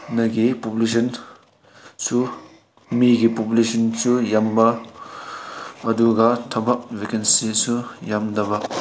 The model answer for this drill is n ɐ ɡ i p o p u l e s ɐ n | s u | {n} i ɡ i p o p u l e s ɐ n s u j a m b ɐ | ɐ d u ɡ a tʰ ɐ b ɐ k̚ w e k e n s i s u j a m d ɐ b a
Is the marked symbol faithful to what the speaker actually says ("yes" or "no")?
no